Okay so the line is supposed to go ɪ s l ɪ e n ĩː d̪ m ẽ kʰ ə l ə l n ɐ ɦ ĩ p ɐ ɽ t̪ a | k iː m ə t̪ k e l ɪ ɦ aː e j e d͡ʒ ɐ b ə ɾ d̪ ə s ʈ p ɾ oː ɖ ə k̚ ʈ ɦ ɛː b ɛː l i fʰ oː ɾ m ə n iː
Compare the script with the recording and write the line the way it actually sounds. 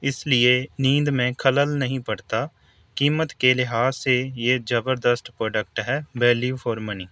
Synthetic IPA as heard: ɪ s l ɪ e n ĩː d̪ m ẽ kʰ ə l ə l n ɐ ɦ ĩ p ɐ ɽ t̪ a | k iː m ə t̪ k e l ɪ ɦ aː e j e d͡ʒ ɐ b ə ɾ d̪ ə s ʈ p ɾ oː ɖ ə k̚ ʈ ɦ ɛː b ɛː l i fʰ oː ɾ m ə n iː